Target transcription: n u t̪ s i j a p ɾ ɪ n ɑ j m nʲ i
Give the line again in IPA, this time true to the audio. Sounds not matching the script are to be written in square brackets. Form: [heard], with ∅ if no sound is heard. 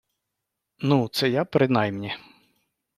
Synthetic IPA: n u t̪ s [ɛ] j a p ɾ ɪ n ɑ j m nʲ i